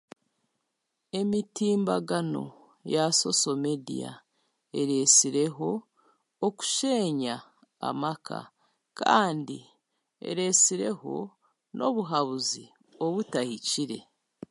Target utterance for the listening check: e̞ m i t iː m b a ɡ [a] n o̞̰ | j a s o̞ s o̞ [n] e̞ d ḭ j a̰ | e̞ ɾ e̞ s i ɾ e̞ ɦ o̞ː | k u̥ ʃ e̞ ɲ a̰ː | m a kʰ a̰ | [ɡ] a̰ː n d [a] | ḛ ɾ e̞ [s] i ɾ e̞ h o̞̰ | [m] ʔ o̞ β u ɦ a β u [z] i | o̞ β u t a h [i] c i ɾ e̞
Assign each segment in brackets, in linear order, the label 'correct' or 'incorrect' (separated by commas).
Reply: correct, incorrect, incorrect, incorrect, correct, incorrect, correct, correct